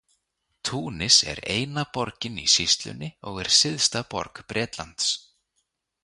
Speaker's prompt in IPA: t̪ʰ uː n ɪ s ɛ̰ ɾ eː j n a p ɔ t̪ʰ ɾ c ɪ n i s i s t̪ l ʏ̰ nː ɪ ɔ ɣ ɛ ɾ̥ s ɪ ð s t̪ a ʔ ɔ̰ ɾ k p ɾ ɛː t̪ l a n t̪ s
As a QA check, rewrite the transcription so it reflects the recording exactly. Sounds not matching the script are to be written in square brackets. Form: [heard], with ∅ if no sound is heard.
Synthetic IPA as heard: t̪ʰ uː n ɪ s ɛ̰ ɾ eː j n a p ɔ [∅] ɾ c ɪ n i s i s t̪ l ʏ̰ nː ɪ ɔ ɣ ɛ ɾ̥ s ɪ ð s t̪ a [p] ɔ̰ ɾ k p ɾ ɛː t̪ l a n t̪ s